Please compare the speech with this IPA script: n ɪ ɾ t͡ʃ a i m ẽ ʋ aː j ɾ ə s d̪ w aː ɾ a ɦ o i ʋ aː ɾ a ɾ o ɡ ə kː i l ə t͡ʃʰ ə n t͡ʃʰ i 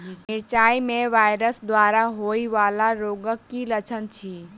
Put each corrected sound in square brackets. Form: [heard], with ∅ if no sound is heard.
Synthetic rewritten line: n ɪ ɾ t͡ʃ a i m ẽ ʋ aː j ɾ ə s d̪ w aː ɾ a ɦ o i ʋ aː [l] a ɾ o ɡ ə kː i l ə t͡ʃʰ ə n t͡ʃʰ i